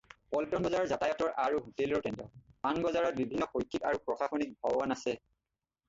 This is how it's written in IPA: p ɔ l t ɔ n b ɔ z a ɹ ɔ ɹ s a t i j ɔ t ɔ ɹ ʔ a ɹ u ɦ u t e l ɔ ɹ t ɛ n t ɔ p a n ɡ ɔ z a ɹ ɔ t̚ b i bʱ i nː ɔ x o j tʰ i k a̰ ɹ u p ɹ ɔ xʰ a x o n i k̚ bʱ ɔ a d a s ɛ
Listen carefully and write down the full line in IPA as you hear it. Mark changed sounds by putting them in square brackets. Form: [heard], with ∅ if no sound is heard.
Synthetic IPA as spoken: p ɔ l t ɔ n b ɔ z a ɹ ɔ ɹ [z] a t [a] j ɔ t ɔ ɹ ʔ a ɹ u ɦ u t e l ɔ ɹ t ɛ n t ɔ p a n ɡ ɔ z a ɹ ɔ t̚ b i bʱ i nː ɔ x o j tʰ i k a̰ ɹ u p ɹ ɔ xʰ a x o n i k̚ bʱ ɔ a [n] a s ɛ

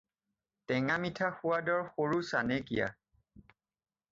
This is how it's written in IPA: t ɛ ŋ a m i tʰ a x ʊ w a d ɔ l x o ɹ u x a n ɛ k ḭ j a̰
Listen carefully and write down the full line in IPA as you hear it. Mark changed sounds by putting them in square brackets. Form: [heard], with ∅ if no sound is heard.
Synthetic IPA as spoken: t ɛ ŋ a m i tʰ a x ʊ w a d ɔ [ɹ] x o ɹ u [s] a n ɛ k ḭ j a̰

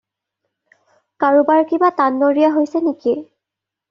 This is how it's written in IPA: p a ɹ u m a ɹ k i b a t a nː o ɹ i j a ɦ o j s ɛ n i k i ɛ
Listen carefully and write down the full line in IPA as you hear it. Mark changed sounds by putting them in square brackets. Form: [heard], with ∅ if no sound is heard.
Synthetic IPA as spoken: [k] a ɹ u [b] a ɹ k i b a t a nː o ɹ i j a ɦ o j s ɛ n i k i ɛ

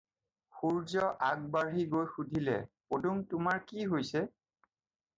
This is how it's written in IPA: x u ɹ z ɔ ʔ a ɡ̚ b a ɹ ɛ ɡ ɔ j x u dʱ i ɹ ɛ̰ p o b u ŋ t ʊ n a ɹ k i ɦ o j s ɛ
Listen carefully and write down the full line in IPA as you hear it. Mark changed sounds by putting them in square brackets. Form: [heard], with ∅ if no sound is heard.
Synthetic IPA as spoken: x u ɹ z ɔ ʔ a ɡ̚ b a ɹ [i] ɡ [o] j x u dʱ i [l] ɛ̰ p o [d] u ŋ t ʊ [m] a ɹ k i ɦ o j s ɛ

